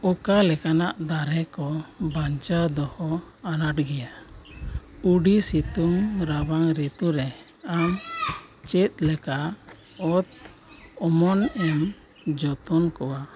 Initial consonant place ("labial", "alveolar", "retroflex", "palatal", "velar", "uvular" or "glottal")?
velar